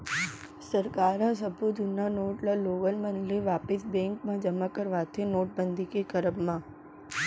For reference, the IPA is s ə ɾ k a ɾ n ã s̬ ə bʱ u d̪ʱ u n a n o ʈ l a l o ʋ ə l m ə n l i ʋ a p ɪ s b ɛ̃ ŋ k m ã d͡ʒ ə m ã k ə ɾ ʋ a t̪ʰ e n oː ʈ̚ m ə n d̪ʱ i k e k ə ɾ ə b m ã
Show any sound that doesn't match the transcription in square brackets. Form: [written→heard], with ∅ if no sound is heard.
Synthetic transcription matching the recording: s ə ɾ k a ɾ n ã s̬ ə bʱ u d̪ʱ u n a n o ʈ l a l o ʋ ə l m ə n l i ʋ a p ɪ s b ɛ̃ ŋ k m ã d͡ʒ ə m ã k ə ɾ ʋ a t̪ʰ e n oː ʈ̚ [m→b] ə n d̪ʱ i k e k ə ɾ ə b m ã